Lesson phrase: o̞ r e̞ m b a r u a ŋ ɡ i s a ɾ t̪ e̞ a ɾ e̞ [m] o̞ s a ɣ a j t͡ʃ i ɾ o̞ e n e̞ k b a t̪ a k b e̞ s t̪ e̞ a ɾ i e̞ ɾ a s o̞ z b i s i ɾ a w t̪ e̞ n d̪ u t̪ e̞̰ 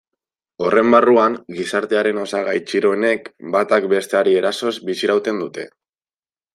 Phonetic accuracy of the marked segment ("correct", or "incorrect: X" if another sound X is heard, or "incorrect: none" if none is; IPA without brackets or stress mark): incorrect: n